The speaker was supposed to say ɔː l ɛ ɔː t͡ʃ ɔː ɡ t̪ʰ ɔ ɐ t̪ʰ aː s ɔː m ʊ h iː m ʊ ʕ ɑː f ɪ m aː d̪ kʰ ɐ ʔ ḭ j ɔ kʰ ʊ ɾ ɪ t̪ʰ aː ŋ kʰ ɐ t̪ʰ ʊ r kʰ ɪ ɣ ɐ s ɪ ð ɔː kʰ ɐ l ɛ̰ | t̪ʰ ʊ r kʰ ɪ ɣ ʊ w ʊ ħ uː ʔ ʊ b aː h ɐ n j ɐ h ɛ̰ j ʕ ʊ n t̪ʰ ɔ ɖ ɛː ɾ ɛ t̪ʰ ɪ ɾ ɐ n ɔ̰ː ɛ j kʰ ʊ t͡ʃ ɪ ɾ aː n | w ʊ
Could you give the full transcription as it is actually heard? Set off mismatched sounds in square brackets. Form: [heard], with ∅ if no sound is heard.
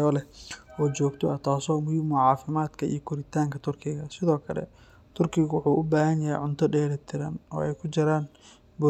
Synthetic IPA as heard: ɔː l ɛ ɔː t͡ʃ ɔː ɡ t̪ʰ ɔ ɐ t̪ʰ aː s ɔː m ʊ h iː m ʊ ʕ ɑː f ɪ m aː d̪ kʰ ɐ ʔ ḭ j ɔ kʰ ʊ ɾ ɪ t̪ʰ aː ŋ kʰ ɐ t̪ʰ ʊ r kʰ ɪ ɣ ɐ s ɪ ð ɔː kʰ ɐ l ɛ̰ | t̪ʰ ʊ r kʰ ɪ ɣ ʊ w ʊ ħ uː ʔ ʊ b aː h ɐ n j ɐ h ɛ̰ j ʕ ʊ n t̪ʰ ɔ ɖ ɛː ɾ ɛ t̪ʰ ɪ ɾ ɐ n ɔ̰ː ɛ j kʰ ʊ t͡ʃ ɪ ɾ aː n | [b] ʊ